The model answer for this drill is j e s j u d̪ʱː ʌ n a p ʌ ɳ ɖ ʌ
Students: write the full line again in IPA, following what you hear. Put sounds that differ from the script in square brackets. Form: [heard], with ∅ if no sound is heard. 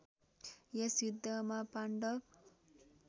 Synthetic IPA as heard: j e s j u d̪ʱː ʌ [m] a p [a] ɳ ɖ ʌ